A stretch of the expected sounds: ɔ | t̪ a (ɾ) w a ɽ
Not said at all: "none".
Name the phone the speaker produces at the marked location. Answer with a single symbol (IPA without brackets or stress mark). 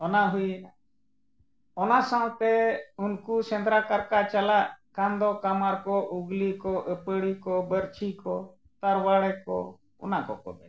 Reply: ɾ